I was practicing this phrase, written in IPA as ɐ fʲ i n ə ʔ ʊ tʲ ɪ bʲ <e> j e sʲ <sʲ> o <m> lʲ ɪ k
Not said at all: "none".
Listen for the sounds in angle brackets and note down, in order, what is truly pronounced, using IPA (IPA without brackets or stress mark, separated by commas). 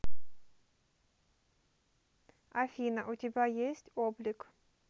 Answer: a, tʲ, b